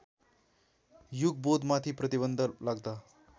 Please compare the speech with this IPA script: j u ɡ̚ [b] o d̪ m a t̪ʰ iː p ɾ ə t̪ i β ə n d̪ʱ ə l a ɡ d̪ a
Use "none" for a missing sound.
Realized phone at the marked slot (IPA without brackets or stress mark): b